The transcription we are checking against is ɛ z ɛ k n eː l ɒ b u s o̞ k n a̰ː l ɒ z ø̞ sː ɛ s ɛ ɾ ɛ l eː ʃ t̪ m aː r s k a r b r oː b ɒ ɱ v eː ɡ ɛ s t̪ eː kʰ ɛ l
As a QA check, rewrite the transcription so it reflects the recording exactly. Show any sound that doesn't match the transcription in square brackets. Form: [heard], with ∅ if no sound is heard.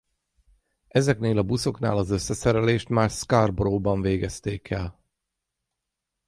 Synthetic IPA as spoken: ɛ z ɛ k n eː l ɒ b u s o̞ k n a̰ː l ɒ z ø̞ sː ɛ s ɛ ɾ ɛ l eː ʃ t̪ m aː r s k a r b r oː b ɒ ɱ v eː ɡ ɛ s t̪ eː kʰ ɛ l